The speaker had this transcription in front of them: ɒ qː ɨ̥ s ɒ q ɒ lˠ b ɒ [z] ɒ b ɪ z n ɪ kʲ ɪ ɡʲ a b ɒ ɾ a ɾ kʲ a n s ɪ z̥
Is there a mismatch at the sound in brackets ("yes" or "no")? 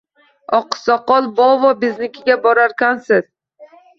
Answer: yes